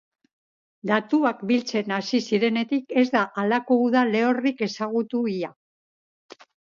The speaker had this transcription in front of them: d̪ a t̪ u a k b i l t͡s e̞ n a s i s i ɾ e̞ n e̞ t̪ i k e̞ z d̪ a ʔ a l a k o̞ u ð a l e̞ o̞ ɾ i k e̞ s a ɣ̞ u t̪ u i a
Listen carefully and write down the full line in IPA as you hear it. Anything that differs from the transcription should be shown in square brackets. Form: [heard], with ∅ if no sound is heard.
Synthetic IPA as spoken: d̪ a t̪ u a k b i l t͡s e̞ n a s i s i ɾ e̞ n e̞ t̪ i k e̞ z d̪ a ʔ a l a k o̞ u ð a l e̞ o̞ [r] i k e̞ s a ɣ̞ u t̪ u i a